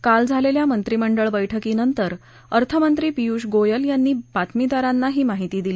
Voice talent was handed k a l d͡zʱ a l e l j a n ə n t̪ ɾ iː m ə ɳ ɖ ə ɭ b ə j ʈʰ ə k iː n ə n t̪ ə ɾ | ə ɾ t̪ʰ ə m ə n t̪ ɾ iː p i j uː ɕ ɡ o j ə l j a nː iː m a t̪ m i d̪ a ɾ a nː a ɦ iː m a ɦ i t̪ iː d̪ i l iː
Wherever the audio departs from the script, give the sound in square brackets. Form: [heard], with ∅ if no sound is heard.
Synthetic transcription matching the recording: k a l d͡zʱ a l e l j a [m] ə n t̪ ɾ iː m ə ɳ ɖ ə ɭ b ə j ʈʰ ə k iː n ə n t̪ ə ɾ | ə ɾ t̪ʰ ə m ə n t̪ ɾ iː p i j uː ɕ ɡ o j ə l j a nː iː [b] a t̪ m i d̪ a ɾ a nː a ɦ iː m a ɦ i t̪ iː d̪ i l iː